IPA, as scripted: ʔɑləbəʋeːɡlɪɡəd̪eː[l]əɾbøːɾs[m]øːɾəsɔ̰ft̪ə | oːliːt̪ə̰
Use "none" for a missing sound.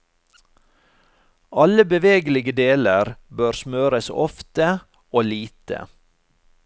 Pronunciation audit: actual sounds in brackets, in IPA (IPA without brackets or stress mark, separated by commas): l, m